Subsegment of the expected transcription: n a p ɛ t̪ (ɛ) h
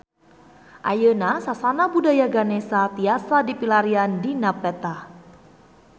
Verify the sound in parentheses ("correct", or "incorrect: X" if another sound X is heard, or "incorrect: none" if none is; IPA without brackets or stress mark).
incorrect: a